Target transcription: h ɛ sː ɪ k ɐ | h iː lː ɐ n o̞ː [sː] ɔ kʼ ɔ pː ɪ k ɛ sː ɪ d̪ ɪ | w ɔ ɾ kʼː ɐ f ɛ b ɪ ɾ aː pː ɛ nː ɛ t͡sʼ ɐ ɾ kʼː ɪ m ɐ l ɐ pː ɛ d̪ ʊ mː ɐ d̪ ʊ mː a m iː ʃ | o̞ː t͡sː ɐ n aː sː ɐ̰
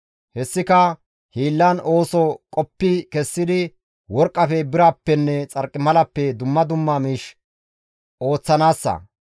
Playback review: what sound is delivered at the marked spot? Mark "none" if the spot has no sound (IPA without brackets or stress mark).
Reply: s